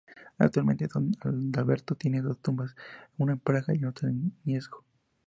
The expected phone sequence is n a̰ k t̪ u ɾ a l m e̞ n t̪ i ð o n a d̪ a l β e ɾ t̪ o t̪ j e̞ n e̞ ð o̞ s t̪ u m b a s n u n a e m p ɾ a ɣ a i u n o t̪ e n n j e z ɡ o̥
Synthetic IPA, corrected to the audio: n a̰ k t̪ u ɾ a l m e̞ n t̪ e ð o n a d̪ a l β e ɾ t̪ o t̪ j e̞ n e̞ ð o̞ s t̪ u m b a s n u n a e m p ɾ a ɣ a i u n o t̪ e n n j e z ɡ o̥